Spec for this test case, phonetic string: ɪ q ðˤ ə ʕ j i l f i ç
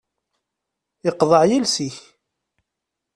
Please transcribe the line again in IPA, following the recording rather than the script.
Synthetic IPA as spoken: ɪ q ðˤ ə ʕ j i l s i ç